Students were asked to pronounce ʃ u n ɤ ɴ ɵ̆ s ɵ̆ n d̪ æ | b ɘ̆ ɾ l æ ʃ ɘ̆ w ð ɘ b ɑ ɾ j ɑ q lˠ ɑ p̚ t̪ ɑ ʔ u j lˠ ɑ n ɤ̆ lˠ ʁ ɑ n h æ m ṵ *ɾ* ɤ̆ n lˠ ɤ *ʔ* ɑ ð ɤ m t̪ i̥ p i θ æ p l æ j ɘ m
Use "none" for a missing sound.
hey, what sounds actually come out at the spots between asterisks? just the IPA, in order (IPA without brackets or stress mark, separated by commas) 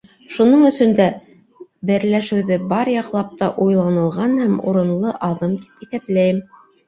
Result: ɾ, ʔ